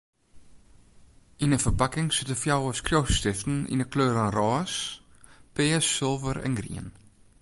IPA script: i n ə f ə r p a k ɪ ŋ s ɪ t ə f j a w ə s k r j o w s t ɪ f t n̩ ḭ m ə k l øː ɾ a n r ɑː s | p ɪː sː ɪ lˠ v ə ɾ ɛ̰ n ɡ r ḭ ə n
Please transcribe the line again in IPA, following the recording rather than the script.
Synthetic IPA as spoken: i n ə f ə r p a k ɪ ŋ s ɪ t ə f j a w ə s k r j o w s t ɪ f t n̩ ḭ n ə k l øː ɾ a n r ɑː s | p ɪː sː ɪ lˠ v ə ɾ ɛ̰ n ɡ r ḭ ə n